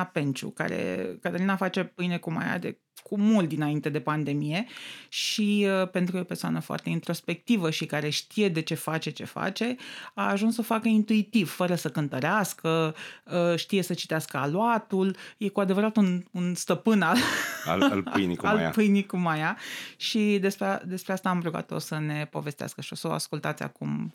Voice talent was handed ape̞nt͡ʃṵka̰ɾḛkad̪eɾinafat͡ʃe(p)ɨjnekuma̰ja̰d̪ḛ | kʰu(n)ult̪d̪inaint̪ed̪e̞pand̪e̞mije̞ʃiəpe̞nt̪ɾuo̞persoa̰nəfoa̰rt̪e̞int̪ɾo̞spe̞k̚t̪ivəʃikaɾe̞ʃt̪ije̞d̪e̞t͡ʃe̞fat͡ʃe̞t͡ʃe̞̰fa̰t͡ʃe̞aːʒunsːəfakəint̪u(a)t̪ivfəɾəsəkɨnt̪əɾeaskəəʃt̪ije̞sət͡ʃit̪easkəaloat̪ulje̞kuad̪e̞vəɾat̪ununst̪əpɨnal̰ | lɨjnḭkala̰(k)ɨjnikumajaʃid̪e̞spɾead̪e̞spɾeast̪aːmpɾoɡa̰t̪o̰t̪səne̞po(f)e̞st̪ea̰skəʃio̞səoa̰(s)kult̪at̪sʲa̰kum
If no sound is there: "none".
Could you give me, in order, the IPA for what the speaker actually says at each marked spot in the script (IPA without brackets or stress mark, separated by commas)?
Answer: p, m, i, p, v, s